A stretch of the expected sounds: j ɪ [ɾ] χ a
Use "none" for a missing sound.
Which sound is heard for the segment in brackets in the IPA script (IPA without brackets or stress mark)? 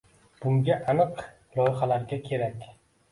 none